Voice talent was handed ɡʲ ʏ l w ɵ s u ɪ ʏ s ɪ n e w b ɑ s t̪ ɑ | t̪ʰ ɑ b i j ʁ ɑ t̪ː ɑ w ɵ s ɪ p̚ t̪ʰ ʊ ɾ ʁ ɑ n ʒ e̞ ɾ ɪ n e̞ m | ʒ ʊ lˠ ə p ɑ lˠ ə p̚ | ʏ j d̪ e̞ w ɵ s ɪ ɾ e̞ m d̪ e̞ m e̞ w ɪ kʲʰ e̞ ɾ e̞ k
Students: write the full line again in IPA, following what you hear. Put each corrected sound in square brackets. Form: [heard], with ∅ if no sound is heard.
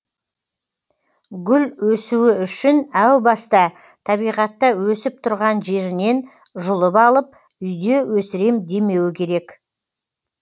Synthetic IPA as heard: ɡʲ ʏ l w ɵ s u ɪ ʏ [ʃ] ɪ n [æ] w b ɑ s t̪ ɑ | t̪ʰ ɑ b i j ʁ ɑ t̪ː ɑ w ɵ s ɪ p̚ t̪ʰ ʊ ɾ ʁ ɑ n ʒ e̞ ɾ ɪ n e̞ [n] | ʒ ʊ lˠ ə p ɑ lˠ ə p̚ | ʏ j d̪ e̞ w ɵ s ɪ ɾ e̞ m d̪ e̞ m e̞ w ɪ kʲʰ e̞ ɾ e̞ k